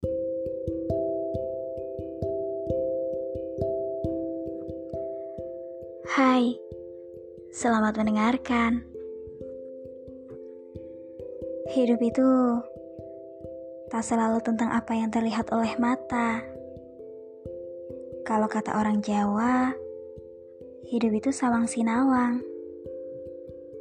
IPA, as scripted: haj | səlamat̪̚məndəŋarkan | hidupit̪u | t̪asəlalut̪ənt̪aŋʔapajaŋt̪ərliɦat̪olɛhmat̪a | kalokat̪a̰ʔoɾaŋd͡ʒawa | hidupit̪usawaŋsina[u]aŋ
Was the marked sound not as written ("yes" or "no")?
yes